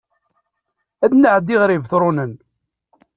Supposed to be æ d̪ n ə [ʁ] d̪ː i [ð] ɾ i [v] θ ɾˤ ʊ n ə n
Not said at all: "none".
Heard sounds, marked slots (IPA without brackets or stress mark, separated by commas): ʕ, ʁ, v